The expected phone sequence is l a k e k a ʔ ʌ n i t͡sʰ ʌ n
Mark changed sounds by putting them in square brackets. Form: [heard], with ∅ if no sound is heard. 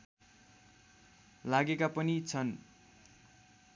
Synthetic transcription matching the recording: l a [ɡ] e k a [p] ʌ n i t͡sʰ ʌ n